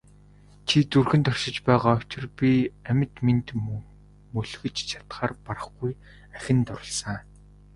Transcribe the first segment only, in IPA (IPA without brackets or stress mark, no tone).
t͡ɕʰ